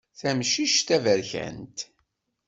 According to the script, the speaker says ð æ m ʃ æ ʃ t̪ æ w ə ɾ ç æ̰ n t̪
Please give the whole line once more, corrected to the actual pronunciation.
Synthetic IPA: θ æ m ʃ i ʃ t̪ æ v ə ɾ ç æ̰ n t̪